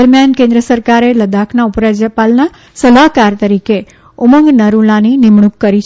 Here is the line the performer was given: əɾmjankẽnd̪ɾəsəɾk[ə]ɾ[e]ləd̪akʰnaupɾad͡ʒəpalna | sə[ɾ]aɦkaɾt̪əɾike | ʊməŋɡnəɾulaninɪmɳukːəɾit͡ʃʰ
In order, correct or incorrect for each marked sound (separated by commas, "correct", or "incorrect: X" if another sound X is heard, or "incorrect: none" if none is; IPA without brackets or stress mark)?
incorrect: a, correct, incorrect: l